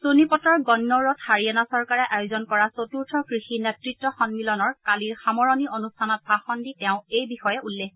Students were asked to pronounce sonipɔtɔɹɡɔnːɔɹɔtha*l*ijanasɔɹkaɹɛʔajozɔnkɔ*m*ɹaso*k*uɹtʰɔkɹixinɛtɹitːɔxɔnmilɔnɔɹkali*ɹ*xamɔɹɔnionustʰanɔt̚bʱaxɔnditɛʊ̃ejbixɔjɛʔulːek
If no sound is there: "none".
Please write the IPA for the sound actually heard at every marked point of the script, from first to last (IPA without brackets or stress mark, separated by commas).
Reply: ɹ, none, t, ɹ